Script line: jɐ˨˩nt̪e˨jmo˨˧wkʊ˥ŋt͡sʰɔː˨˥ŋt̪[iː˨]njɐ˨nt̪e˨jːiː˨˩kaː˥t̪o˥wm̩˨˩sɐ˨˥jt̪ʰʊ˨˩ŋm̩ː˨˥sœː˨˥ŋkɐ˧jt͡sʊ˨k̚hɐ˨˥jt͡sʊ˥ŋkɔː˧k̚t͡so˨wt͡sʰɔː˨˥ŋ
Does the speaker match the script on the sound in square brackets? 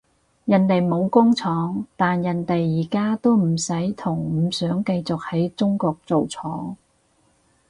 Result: no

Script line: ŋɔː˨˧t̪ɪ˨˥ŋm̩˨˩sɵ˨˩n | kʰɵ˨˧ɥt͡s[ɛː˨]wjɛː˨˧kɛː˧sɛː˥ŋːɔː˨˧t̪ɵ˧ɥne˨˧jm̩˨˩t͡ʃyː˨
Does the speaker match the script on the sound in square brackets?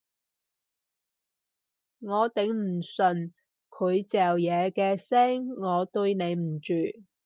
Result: yes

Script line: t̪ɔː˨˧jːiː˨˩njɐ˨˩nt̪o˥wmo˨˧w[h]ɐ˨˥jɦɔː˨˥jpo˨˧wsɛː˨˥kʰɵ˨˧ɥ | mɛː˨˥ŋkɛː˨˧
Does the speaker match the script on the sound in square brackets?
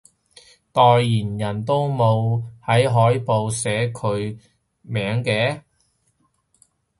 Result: yes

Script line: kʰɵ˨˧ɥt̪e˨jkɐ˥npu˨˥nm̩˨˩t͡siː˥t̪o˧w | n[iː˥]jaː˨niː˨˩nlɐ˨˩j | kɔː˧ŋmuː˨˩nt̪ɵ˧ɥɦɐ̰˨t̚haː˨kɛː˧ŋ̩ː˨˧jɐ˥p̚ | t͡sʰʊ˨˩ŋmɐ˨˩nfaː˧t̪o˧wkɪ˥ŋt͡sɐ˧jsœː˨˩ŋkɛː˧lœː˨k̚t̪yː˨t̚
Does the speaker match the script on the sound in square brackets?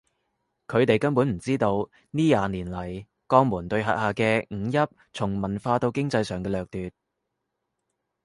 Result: yes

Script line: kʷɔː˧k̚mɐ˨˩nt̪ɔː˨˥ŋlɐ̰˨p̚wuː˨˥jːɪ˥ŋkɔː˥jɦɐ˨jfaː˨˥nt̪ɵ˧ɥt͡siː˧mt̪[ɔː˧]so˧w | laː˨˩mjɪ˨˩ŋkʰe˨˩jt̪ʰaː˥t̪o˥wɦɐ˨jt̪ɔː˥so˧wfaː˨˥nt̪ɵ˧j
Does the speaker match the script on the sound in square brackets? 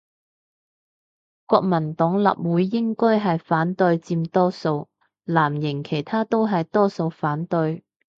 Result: no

